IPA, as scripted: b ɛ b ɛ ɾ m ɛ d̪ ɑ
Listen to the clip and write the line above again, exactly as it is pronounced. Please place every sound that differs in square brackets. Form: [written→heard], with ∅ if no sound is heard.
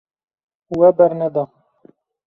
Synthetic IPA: [b→w] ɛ b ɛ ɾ [m→n] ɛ d̪ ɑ